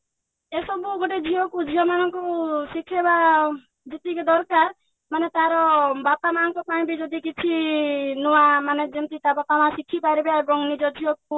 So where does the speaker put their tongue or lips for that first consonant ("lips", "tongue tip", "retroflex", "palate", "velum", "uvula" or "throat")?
tongue tip